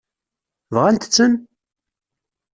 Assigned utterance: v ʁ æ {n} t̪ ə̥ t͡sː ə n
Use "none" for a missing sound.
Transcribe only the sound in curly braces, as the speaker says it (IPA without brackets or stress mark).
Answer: n